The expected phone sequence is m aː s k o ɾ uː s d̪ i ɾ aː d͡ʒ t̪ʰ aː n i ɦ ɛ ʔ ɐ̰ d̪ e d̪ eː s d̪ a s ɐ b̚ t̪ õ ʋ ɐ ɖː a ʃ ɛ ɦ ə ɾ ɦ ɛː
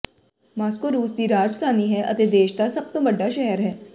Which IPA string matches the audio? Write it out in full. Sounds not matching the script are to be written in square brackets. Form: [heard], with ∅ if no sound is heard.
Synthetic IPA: m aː s k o ɾ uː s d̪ i ɾ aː d͡ʒ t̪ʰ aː n i ɦ ɛ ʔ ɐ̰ [t̪] e d̪ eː [ʃ] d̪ a s ɐ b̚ t̪ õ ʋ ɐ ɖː a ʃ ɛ ɦ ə ɾ ɦ ɛː